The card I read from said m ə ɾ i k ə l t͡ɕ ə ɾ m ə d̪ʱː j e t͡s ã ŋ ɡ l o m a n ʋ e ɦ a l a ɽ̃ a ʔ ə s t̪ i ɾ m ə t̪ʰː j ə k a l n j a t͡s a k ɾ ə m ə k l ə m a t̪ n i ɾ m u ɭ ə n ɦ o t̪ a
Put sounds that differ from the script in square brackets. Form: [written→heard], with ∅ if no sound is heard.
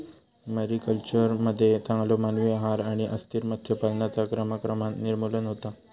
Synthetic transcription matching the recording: m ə ɾ i k ə l t͡ɕ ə ɾ m ə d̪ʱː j e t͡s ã ŋ ɡ l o m a n ʋ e ɦ a [l→ɾ] a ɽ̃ [a→i] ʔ ə s t̪ i ɾ m ə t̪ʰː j ə [k→p] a l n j a t͡s a k ɾ ə m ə k [l→ɾ] ə m a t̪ n i ɾ m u [ɭ→l] ə n ɦ o t̪ a